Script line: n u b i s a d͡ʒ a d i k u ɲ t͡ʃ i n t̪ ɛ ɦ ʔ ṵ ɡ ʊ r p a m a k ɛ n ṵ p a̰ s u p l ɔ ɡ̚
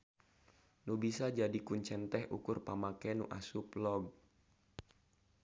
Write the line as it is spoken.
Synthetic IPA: n u b i s a d͡ʒ a d i k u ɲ t͡ʃ ɛ n t̪ ɛ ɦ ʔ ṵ k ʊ r p a m a k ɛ n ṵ ʔ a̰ s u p l ɔ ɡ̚